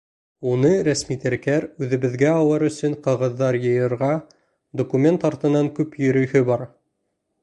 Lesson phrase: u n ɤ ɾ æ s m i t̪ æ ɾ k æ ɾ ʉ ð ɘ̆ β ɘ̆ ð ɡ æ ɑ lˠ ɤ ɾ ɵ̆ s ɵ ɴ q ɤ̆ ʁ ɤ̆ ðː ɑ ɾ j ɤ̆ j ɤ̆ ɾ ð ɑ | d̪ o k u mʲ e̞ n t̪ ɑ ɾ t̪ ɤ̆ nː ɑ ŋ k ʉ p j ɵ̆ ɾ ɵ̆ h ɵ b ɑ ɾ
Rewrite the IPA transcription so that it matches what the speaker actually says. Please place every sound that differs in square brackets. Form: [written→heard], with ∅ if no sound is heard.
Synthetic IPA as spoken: u n ɤ ɾ æ s m i t̪ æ ɾ k æ ɾ ʉ ð ɘ̆ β ɘ̆ ð ɡ æ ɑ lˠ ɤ ɾ ɵ̆ s ɵ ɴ q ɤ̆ ʁ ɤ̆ ðː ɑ ɾ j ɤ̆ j ɤ̆ ɾ [ð→ʁ] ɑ | d̪ o k u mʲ e̞ n t̪ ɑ ɾ t̪ ɤ̆ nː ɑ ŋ k ʉ p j ɵ̆ ɾ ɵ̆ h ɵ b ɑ ɾ

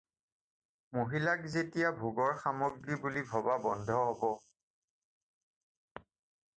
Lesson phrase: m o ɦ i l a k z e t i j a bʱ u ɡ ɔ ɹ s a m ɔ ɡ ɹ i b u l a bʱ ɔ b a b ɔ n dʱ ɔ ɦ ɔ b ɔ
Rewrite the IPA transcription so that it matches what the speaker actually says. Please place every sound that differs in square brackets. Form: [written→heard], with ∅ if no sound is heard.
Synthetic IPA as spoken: m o ɦ i l a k z e t i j a bʱ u ɡ ɔ ɹ [s→x] a m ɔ ɡ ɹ i b u l [a→i] bʱ ɔ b a b ɔ n dʱ ɔ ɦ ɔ b ɔ

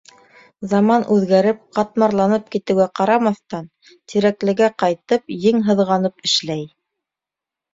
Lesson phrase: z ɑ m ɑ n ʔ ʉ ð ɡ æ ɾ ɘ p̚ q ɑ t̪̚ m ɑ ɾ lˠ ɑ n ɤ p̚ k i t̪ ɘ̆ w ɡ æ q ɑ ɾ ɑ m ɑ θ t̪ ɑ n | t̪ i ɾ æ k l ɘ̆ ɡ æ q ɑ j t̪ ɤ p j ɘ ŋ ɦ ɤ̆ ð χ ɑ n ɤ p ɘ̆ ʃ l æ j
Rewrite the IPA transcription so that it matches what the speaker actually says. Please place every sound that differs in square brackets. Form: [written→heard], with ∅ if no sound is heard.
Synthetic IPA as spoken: z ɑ m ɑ n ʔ ʉ ð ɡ æ ɾ ɘ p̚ q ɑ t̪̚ m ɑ ɾ lˠ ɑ n ɤ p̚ k i t̪ ɘ̆ w ɡ æ q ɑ ɾ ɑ m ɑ θ t̪ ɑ n | t̪ i ɾ æ k l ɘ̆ ɡ æ q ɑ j t̪ ɤ p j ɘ ŋ ɦ ɤ̆ ð [χ→ʁ] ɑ n ɤ p ɘ̆ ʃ l æ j

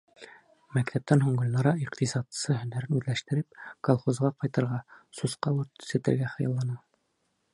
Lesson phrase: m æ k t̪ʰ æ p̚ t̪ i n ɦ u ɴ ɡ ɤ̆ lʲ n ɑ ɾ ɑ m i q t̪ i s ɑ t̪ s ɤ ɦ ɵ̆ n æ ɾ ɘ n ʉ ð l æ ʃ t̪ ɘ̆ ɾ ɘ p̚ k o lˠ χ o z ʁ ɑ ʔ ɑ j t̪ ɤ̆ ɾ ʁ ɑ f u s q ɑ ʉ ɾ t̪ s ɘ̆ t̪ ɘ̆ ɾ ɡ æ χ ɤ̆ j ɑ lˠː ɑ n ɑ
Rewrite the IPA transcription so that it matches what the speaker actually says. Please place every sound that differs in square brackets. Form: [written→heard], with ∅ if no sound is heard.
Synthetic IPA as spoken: m æ k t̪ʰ æ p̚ t̪ [i→æ] n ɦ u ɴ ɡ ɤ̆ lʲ n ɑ ɾ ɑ [m→∅] i q t̪ i s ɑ t̪ s ɤ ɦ ɵ̆ n æ ɾ ɘ n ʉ ð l æ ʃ t̪ ɘ̆ ɾ ɘ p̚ k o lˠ χ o z ʁ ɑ [ʔ→q] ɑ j t̪ ɤ̆ ɾ ʁ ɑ [f→s] u s q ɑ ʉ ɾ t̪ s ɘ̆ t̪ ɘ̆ ɾ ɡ æ χ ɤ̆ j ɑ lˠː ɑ n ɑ

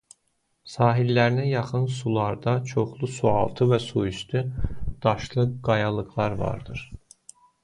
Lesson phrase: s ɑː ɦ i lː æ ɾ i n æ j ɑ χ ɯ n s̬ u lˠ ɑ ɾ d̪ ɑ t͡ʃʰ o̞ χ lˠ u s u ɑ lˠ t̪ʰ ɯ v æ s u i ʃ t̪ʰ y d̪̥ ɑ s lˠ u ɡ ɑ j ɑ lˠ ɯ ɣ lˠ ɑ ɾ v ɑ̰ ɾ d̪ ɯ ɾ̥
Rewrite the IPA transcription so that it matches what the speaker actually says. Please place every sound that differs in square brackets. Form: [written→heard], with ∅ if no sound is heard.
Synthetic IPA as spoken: s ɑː ɦ i lː æ ɾ i n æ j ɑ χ ɯ n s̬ u lˠ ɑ ɾ d̪ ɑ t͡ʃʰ o̞ χ lˠ u s u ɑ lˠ t̪ʰ ɯ v æ s u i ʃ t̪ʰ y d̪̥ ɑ [s→ʃ] lˠ [u→ɯ] ɡ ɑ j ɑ lˠ ɯ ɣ lˠ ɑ ɾ v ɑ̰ ɾ d̪ ɯ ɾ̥

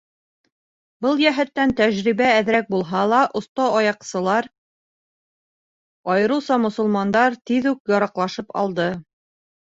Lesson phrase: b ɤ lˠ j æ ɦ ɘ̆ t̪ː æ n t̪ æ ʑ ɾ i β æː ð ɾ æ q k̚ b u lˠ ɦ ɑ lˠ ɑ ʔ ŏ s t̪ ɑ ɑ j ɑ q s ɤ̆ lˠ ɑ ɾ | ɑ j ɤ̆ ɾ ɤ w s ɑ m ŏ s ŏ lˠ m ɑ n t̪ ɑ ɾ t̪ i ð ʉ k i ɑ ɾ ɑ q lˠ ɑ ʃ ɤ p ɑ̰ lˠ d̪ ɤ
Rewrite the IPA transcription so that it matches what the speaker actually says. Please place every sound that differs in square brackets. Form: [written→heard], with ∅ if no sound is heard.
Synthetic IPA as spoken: b ɤ lˠ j æ ɦ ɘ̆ t̪ː æ n t̪ æ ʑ ɾ i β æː ð ɾ æ [q→∅] k̚ b u lˠ ɦ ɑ lˠ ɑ ʔ ŏ s t̪ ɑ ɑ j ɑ q s ɤ̆ lˠ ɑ ɾ | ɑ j ɤ̆ ɾ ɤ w s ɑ m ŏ s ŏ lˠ m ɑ n [t̪→d̪] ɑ ɾ t̪ i ð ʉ k [i→j] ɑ ɾ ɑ q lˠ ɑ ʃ ɤ p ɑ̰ lˠ d̪ ɤ

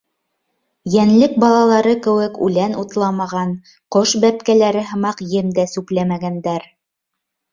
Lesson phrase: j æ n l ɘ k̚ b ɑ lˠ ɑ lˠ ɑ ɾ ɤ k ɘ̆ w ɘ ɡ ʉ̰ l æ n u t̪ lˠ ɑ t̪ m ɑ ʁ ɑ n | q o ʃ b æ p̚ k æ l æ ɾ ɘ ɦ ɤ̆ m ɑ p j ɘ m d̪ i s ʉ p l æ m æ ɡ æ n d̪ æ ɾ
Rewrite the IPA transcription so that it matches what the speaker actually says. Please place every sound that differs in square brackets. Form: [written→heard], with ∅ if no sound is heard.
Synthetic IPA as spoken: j æ n l ɘ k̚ b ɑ lˠ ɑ lˠ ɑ ɾ ɤ k ɘ̆ w ɘ [ɡ→k] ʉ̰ l æ n u t̪ lˠ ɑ [t̪→∅] m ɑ ʁ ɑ n | q o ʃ b æ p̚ k æ l æ ɾ ɘ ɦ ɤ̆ m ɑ [p→q] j ɘ m d̪ [i→æ] s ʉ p l æ m æ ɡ æ n d̪ æ ɾ

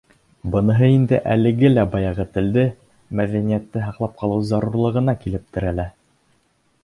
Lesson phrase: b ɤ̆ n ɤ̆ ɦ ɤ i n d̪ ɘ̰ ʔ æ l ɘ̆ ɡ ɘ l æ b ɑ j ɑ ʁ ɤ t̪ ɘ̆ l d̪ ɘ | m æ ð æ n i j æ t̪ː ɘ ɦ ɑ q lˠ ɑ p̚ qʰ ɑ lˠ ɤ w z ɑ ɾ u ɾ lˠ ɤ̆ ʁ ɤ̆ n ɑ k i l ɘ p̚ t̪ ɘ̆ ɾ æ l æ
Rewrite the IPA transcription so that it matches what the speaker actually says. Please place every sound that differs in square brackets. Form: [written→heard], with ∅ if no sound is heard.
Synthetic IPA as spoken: b ɤ̆ n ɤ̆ ɦ ɤ i n d̪ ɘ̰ ʔ æ l ɘ̆ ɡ ɘ l æ b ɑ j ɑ ʁ ɤ t̪ ɘ̆ l d̪ ɘ | m æ ð æ n i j æ t̪ː ɘ ɦ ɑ q lˠ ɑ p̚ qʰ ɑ lˠ ɤ w z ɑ ɾ u ɾ lˠ ɤ̆ ʁ ɤ̆ n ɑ k i l ɘ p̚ t̪ ɘ̆ ɾ æ l æ

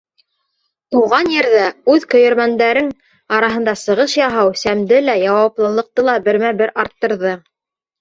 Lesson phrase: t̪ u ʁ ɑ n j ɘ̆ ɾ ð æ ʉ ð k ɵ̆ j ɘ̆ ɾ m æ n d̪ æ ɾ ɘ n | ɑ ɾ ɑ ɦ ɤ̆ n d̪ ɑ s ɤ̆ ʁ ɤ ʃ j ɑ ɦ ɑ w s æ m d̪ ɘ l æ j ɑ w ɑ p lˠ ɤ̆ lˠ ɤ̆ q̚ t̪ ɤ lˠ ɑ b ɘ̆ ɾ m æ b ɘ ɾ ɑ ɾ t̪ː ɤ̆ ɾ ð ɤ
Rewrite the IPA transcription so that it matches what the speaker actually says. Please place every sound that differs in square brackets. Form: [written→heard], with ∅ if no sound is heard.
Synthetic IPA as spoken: t̪ u ʁ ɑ n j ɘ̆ ɾ ð æ ʉ ð k ɵ̆ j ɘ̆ ɾ m æ n d̪ æ ɾ ɘ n | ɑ ɾ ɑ ɦ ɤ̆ n d̪ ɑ s ɤ̆ ʁ ɤ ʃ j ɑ ɦ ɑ w s æ m d̪ ɘ l æ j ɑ w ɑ p lˠ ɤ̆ lˠ ɤ̆ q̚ t̪ ɤ lˠ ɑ b ɘ̆ ɾ m æ b ɘ ɾ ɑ ɾ t̪ː ɤ̆ ɾ ð ɤ

